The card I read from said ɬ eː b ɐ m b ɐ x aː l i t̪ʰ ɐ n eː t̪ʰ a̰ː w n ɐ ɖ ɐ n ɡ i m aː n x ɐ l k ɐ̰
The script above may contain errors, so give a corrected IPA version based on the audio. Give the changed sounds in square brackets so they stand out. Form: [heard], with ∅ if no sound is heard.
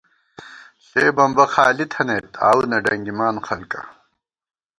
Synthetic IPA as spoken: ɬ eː b ɐ m b ɐ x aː l i t̪ʰ ɐ n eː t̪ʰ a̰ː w n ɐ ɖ ɐ [ŋ] ɡ i m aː n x ɐ l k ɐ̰